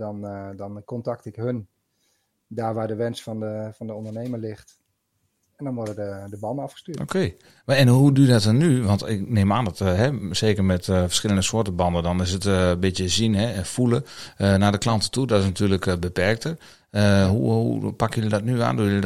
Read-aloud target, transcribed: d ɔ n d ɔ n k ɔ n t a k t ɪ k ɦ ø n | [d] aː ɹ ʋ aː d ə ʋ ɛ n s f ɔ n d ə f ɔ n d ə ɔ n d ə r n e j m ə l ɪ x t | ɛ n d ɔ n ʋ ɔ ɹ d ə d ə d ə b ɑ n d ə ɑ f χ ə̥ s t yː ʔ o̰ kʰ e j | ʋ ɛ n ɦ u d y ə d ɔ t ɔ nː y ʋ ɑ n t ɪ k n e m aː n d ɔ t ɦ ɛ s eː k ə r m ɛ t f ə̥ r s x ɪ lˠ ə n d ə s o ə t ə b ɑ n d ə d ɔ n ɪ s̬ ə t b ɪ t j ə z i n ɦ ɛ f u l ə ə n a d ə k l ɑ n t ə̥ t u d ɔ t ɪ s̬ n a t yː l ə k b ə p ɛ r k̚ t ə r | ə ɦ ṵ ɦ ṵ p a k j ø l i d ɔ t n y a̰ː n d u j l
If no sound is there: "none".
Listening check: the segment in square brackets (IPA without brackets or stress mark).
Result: d